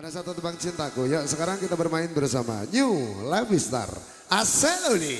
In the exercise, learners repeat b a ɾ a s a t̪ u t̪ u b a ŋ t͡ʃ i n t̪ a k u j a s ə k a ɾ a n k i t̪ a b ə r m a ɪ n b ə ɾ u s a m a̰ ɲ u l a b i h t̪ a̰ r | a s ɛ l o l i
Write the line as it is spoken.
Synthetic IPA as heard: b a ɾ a s a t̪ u t̪ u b a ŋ t͡ʃ i n t̪ a k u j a s ə k a ɾ a ŋ k i t̪ a b ə r m a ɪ n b ə ɾ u s a m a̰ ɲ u l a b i s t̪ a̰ r | a s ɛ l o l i